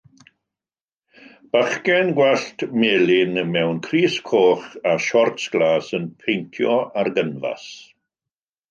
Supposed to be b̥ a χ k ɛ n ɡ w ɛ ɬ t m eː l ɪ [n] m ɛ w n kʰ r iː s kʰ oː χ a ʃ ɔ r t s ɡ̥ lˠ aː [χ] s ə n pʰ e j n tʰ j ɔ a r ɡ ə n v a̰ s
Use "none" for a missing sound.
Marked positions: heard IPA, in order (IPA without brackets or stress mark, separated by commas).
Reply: n, none